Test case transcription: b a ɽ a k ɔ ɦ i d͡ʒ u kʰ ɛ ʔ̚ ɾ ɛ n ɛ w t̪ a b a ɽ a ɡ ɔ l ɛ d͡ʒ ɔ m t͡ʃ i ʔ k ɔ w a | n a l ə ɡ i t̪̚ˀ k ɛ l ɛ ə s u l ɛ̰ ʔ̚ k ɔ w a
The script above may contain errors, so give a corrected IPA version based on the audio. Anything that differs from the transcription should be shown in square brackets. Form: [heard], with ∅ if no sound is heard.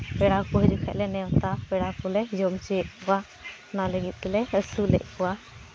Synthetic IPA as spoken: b [ɛ] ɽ a k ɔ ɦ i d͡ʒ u kʰ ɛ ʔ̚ [l] ɛ n ɛ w t̪ a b [ɛ] ɽ a [k] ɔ l ɛ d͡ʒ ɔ m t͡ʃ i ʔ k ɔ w a | n a l ə ɡ i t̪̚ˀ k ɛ l ɛ ə s u l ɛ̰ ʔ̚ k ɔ w a

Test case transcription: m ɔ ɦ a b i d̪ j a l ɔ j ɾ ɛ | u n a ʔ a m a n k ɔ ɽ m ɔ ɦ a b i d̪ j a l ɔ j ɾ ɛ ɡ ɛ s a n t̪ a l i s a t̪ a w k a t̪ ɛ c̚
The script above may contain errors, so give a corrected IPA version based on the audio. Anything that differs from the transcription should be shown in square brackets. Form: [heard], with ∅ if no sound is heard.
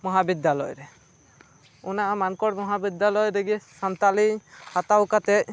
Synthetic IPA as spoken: m ɔ ɦ a b i d̪ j a l ɔ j ɾ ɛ | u n a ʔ a m a n k ɔ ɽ m ɔ ɦ a b i d̪ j a l ɔ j ɾ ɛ ɡ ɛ s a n t̪ a l i [h] a t̪ a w k a t̪ ɛ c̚

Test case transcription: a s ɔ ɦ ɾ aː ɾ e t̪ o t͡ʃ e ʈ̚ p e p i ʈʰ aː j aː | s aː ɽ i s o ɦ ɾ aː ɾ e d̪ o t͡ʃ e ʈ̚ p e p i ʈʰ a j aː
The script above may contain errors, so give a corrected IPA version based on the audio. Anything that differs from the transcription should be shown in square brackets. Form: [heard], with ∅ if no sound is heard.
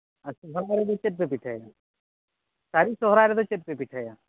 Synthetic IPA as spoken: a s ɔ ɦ ɾ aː ɾ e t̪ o t͡ʃ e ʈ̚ p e p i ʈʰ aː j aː | s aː [ɾ] i s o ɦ ɾ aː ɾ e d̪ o t͡ʃ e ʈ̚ p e p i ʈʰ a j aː

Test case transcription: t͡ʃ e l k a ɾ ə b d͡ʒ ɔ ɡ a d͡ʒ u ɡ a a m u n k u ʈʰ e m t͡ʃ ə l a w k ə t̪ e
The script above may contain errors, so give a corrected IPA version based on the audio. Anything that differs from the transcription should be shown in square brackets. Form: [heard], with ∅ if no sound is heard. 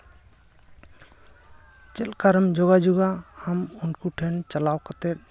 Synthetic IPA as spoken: t͡ʃ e l k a ɾ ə [m] d͡ʒ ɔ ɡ a d͡ʒ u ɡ a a m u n k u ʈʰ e [n] t͡ʃ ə l a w k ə t̪ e

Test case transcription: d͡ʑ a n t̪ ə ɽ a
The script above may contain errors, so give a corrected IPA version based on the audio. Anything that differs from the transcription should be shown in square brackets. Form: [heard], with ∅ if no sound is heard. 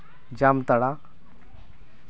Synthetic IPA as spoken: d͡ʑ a [m] t̪ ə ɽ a

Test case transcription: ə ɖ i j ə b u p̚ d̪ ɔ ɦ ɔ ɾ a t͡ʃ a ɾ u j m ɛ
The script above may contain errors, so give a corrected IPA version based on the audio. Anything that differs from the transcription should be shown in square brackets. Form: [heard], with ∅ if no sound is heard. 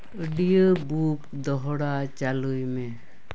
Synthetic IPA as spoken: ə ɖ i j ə b u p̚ d̪ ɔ ɦ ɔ [ɽ] a t͡ʃ a [l] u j m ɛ

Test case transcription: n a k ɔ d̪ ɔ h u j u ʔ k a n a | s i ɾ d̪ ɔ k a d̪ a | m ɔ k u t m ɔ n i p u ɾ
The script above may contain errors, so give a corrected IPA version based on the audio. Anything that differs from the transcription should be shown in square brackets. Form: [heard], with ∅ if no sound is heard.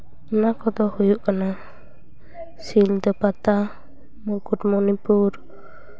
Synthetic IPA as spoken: n a k ɔ d̪ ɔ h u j u ʔ k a n a | s i [l] d̪ ɔ [p] a [t̪] a | m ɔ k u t m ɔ n i p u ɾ

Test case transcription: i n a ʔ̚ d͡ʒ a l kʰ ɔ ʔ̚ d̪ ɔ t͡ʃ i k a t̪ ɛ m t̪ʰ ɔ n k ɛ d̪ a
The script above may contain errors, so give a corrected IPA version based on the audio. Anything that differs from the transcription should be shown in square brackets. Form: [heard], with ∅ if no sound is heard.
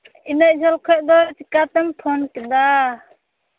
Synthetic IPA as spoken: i n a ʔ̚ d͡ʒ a l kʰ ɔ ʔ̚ d̪ ɔ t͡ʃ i k a t̪ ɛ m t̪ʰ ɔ n k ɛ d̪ a

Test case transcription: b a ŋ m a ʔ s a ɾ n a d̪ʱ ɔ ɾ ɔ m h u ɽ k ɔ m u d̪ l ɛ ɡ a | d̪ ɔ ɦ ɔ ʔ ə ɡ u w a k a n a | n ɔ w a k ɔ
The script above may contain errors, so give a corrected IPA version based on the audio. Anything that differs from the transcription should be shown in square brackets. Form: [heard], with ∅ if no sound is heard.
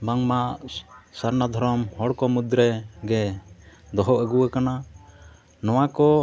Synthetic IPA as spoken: b a ŋ m a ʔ s a ɾ n a d̪ʱ ɔ ɾ ɔ m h [ɔ] ɽ k ɔ m u d̪ [ɾ] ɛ ɡ [ɛ] | d̪ ɔ ɦ ɔ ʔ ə ɡ u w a k a n a | n ɔ w a k ɔ

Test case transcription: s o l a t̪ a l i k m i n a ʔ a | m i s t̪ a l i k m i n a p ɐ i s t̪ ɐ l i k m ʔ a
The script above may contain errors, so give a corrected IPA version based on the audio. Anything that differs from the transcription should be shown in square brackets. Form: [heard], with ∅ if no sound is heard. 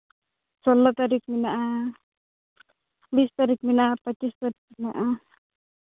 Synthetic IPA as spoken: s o l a t̪ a [ɾ] i k m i n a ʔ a | [b] i s t̪ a [ɾ] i k m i n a p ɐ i s t̪ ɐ [ɾ] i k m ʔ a

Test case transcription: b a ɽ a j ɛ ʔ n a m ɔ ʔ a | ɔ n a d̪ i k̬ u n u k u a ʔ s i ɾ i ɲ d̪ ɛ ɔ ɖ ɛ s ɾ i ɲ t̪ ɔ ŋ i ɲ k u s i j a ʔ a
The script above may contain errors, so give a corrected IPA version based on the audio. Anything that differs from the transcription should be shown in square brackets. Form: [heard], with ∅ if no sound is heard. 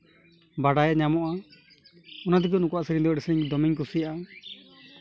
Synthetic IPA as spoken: b a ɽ a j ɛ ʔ [ɲ] a m ɔ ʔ a | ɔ n a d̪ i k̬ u n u k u a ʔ s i ɾ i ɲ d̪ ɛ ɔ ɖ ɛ s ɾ i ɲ [d̪] ɔ [m] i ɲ k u s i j a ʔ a

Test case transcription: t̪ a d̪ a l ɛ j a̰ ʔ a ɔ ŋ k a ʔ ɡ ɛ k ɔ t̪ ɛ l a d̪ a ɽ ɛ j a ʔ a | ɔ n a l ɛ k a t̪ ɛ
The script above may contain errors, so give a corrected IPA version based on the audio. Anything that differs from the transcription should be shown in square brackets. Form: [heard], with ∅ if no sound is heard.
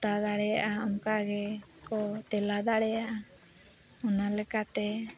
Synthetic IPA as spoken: t̪ a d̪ a [ɽ] ɛ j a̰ ʔ a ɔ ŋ k a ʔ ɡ ɛ k ɔ t̪ ɛ l a d̪ a ɽ ɛ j a ʔ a | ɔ n a l ɛ k a t̪ ɛ

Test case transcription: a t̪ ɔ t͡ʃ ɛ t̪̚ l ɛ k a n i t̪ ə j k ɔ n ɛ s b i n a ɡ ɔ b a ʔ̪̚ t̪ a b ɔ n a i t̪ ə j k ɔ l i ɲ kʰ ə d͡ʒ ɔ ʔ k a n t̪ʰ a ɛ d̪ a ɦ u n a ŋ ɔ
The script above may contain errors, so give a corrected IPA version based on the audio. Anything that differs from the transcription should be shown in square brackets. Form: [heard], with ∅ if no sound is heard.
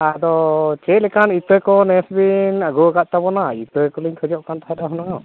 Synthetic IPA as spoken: a [d̪] ɔ t͡ʃ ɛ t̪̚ l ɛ k a n i t̪ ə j k ɔ n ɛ s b i n a ɡ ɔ [ɡ] a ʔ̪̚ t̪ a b ɔ n a i t̪ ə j k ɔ l i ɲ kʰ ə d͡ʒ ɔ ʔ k a n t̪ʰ a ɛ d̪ a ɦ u n a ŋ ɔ

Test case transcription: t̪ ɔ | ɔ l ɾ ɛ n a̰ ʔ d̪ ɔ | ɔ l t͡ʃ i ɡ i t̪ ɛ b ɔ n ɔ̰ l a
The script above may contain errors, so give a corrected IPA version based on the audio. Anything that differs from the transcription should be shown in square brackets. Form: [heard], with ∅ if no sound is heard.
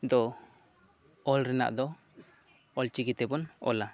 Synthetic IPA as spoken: [d̪] ɔ | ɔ l ɾ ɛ n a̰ ʔ d̪ ɔ | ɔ l t͡ʃ i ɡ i t̪ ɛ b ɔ n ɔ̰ l a

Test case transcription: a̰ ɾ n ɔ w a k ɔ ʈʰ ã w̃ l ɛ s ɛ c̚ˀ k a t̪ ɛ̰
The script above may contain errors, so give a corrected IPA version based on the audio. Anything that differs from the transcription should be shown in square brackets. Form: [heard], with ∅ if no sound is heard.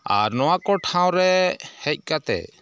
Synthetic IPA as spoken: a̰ ɾ n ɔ w a k ɔ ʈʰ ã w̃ [ɾ] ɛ [h] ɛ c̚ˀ k a t̪ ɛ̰

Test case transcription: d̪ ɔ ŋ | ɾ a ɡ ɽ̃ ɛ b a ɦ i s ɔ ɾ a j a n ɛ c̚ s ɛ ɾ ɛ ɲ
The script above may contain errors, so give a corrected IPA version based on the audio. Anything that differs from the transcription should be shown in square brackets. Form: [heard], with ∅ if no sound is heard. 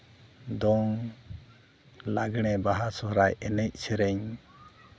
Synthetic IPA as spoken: d̪ ɔ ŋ | [l] a ɡ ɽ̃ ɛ b a ɦ [a] s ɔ ɾ a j [ɛ] n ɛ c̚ s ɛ ɾ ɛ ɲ

